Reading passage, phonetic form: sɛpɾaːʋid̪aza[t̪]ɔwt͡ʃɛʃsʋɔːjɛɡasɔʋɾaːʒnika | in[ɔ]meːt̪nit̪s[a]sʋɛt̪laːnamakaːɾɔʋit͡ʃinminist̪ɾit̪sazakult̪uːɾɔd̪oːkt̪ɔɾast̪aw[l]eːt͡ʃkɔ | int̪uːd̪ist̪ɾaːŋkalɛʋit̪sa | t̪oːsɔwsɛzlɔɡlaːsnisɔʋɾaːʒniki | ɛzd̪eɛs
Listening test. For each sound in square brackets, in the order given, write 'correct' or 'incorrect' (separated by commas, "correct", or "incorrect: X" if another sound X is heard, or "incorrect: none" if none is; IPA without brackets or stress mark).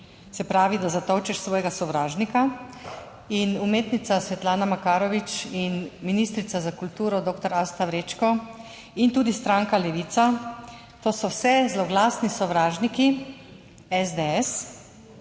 correct, incorrect: u, correct, incorrect: ɾ